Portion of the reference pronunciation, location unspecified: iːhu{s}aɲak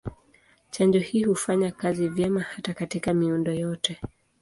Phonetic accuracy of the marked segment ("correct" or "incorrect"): incorrect